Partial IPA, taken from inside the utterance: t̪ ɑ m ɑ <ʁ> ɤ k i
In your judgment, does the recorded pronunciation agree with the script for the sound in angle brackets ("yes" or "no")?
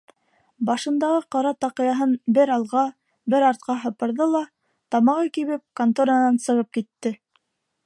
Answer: yes